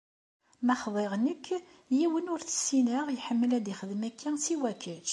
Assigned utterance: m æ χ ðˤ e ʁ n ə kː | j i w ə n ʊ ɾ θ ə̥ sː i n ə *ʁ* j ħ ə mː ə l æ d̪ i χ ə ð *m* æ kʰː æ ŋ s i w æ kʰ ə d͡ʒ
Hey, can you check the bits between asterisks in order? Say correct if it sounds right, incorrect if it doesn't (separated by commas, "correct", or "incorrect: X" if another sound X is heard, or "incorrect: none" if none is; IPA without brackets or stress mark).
correct, correct